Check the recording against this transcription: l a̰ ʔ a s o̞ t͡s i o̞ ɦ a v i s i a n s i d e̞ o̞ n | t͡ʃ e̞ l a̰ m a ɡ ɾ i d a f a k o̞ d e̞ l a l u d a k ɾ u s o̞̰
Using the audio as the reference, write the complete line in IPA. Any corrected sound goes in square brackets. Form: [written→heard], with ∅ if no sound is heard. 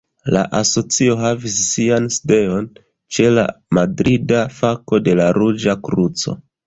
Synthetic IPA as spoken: l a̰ ʔ a s o̞ t͡s i o̞ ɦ a v i [s→sː] i a n s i d e̞ o̞ n | t͡ʃ e̞ l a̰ m a [ɡ→d] ɾ i d a f a k o̞ d e̞ l a [l→ɾ] u [d→d͡ʒ] a k ɾ u [s→t͡s] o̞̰